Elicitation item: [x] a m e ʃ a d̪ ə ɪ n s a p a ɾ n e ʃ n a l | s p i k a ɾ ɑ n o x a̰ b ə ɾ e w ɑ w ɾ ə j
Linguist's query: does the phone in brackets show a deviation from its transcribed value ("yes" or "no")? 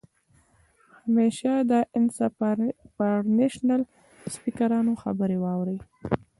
yes